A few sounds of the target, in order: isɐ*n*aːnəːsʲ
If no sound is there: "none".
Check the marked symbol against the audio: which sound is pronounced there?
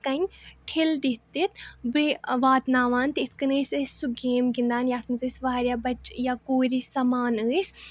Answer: m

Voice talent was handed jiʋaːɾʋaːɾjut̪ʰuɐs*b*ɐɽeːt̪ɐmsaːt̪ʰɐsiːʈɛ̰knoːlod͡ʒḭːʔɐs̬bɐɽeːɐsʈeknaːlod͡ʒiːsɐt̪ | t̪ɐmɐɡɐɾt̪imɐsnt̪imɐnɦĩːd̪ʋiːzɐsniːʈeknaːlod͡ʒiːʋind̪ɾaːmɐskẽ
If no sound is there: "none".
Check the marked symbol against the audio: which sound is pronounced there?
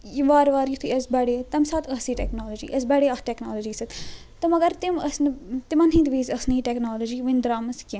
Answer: b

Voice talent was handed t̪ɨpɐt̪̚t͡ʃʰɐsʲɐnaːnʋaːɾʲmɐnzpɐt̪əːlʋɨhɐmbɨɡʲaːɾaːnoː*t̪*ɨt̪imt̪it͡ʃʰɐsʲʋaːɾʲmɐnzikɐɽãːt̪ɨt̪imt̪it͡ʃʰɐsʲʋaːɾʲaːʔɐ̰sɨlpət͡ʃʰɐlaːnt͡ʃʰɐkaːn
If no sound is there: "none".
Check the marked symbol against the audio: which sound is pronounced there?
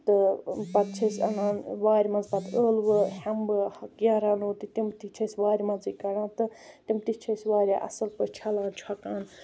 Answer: t̪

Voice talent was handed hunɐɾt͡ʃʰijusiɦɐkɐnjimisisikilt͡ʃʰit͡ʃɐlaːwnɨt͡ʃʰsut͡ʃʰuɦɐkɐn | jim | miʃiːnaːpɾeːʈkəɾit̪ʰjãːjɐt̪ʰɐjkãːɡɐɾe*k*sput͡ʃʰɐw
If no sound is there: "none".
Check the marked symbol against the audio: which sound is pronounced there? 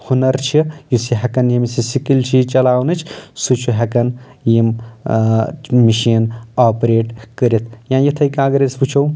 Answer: none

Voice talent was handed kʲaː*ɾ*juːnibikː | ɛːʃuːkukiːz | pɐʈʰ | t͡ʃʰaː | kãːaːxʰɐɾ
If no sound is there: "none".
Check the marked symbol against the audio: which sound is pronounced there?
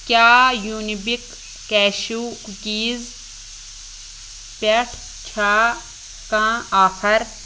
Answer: none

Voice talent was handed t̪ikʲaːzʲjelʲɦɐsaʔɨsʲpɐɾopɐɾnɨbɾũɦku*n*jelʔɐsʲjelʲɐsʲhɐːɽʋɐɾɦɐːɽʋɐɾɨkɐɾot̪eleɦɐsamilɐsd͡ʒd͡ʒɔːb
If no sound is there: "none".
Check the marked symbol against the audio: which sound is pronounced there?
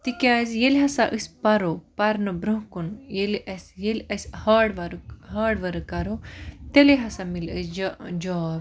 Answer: n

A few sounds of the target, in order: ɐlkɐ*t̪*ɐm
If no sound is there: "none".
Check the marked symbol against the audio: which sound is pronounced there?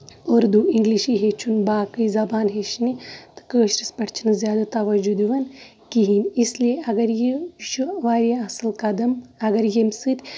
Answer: d̪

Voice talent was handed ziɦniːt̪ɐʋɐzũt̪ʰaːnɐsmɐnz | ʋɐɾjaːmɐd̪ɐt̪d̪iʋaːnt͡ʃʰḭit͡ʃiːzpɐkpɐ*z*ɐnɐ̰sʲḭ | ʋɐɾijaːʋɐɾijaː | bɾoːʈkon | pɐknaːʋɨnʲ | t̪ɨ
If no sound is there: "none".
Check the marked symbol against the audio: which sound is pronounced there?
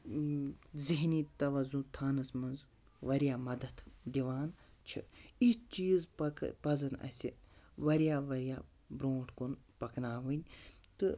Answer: z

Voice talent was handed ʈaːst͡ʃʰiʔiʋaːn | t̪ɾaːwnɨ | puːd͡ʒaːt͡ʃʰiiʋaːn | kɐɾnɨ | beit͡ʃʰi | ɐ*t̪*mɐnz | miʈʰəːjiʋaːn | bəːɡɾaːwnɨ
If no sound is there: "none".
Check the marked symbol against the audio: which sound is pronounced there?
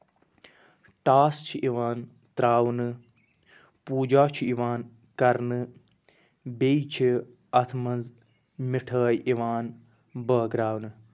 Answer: t̪ʰ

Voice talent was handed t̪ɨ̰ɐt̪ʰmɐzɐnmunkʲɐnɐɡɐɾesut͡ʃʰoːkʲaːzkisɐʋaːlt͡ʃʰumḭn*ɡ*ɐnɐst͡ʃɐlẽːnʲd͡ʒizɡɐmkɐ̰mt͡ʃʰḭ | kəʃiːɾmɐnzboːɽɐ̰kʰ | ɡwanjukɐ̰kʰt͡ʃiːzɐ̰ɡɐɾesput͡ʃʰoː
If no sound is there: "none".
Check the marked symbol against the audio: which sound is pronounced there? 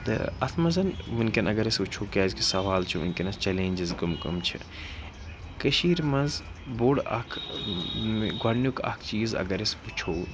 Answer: k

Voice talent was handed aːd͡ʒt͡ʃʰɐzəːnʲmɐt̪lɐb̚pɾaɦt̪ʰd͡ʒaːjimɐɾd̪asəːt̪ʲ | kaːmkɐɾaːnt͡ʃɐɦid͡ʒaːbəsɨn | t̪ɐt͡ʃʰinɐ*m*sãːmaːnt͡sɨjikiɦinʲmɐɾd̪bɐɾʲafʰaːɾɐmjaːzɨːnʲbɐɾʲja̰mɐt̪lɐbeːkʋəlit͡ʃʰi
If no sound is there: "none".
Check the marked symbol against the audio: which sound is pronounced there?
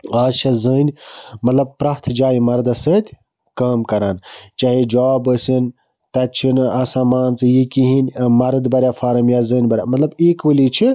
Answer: none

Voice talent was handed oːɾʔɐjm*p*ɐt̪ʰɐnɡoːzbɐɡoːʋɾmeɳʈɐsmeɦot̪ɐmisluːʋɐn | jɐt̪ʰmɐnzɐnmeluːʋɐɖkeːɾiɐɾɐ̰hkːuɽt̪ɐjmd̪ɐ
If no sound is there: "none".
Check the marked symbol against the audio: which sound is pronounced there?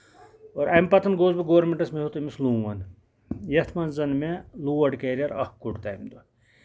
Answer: p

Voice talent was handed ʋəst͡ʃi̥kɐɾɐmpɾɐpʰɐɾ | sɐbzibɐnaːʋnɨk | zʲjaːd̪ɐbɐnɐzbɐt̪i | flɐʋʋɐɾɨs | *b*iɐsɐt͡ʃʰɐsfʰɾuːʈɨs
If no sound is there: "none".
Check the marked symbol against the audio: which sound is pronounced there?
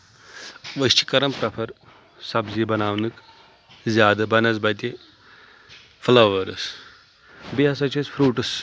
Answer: b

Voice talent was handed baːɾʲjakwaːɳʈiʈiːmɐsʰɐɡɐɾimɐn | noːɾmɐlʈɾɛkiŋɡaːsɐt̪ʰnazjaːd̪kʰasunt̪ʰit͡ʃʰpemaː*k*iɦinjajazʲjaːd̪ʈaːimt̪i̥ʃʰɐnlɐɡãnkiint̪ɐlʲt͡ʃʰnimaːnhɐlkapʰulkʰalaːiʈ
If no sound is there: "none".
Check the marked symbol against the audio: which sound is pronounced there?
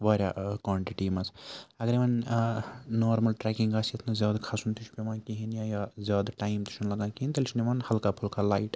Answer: k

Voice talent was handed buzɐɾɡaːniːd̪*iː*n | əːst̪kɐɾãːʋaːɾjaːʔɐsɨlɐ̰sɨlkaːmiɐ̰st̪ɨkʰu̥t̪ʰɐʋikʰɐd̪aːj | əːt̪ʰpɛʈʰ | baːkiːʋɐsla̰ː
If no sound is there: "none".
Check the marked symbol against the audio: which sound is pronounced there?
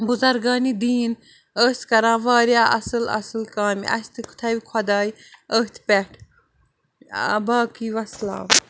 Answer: iː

